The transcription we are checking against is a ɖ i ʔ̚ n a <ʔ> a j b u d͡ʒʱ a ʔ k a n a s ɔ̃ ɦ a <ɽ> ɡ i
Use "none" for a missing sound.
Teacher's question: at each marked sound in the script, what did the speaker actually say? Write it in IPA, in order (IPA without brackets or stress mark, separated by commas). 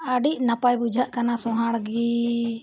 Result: p, ɽ